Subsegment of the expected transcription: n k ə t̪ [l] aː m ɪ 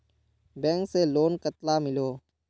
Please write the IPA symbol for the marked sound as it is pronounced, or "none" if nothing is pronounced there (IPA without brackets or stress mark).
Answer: l